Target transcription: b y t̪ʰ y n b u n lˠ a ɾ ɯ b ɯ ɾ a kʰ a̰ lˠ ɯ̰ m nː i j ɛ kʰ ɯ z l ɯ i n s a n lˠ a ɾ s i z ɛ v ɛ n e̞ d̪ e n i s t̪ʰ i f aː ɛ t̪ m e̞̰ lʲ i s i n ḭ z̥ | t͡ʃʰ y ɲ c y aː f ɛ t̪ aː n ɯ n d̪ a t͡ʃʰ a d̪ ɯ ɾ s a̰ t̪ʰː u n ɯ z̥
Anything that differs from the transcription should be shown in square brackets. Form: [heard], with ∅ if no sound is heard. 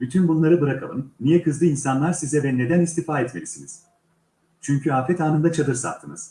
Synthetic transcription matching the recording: b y t̪ʰ y n b u n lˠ a ɾ ɯ b ɯ ɾ a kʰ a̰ lˠ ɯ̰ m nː i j ɛ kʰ ɯ z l ɯ i n s a n lˠ a ɾ s i z ɛ v ɛ n e̞ d̪ [æ] n i s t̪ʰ i f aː ɛ t̪ m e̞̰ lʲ i s i n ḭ z̥ | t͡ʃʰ y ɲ c y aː f ɛ t̪ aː n ɯ n d̪ a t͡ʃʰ a d̪ ɯ ɾ s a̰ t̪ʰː [ɯ] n ɯ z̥